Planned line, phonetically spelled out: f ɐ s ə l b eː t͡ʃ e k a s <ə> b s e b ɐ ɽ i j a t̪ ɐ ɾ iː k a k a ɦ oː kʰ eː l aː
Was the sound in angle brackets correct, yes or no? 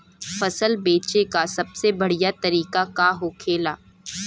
no